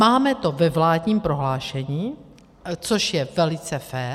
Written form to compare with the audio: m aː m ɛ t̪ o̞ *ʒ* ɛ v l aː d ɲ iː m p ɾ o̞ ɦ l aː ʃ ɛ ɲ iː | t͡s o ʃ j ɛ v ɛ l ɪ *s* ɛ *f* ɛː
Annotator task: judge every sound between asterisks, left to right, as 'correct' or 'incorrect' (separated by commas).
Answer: incorrect, incorrect, correct